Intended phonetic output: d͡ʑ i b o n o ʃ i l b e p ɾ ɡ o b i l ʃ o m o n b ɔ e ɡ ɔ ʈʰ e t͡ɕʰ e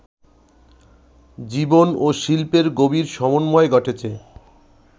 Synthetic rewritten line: d͡ʑ i b o n o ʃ i l p e ɾ ɡ o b i ɾ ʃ ɔ m o n m ɔ e ɡ ɔ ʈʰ e t͡ɕʰ e